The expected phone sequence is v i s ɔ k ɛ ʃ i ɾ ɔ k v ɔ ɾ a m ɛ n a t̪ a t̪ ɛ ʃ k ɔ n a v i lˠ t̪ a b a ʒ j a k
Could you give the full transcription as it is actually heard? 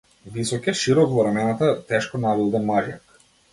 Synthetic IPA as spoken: v i s ɔ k ɛ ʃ i ɾ ɔ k v ɔ ɾ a m ɛ n a t̪ a t̪ ɛ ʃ k ɔ n a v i lˠ d̪ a m a ʒ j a k